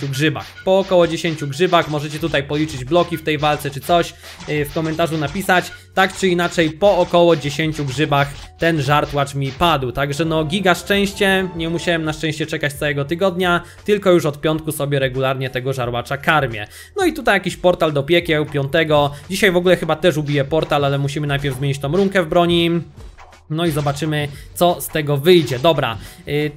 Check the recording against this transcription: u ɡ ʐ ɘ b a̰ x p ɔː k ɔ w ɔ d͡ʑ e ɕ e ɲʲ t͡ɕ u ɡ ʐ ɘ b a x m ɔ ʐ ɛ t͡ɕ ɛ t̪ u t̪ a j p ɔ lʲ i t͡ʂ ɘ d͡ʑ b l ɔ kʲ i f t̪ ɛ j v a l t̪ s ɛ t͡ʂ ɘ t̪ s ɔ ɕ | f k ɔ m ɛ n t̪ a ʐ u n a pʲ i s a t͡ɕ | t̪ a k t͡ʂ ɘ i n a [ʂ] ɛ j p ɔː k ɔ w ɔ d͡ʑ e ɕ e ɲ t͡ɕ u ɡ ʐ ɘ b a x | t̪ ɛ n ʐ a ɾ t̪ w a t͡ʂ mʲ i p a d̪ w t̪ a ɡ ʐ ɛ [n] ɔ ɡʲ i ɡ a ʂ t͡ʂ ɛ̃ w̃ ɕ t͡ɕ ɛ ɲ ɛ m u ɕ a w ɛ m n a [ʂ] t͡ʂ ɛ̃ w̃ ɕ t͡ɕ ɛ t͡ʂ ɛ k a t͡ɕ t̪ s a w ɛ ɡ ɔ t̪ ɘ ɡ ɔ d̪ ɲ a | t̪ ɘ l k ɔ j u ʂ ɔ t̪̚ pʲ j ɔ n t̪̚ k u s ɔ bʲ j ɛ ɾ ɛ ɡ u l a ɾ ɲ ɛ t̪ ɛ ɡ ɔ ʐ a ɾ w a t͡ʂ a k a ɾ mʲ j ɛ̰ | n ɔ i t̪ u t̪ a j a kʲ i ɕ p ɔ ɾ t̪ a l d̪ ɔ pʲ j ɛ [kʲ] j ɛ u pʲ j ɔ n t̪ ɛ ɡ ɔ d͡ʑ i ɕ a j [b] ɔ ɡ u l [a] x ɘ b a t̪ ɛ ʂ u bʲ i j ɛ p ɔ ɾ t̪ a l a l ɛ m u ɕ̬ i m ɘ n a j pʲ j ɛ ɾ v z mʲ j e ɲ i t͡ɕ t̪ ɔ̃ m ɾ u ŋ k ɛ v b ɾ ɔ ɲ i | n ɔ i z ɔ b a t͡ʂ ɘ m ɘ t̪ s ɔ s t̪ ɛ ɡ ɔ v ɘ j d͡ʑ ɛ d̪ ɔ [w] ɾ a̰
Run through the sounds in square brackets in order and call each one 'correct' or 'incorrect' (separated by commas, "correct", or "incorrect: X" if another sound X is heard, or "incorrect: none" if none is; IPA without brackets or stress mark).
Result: incorrect: t͡ʂ, correct, correct, correct, incorrect: v, incorrect: ɛ, incorrect: b